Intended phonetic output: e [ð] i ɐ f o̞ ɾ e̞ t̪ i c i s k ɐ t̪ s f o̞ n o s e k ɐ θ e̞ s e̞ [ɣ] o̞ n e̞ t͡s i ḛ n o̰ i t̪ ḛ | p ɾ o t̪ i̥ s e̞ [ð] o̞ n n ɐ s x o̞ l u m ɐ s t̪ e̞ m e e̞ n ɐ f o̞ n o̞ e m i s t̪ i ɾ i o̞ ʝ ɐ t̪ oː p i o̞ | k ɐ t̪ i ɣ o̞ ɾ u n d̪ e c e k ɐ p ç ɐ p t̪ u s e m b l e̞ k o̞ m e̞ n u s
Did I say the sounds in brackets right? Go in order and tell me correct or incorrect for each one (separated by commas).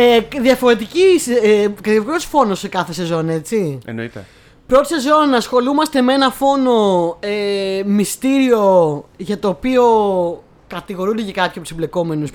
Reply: correct, incorrect, incorrect